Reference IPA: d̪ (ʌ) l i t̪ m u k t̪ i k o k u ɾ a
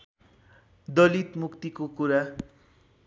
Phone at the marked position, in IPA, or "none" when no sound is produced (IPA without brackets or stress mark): ʌ